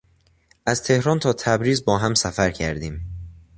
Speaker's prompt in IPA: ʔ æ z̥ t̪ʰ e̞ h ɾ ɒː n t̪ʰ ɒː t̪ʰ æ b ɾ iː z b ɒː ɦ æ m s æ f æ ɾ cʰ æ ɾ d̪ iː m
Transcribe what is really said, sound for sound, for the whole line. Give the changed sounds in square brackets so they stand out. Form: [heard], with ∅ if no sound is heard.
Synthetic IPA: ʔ æ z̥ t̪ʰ e̞ h ɾ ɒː n t̪ʰ ɒː t̪ʰ æ b ɾ iː z b ɒː ɦ æ m s æ f æ ɾ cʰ æ ɾ d̪ iː m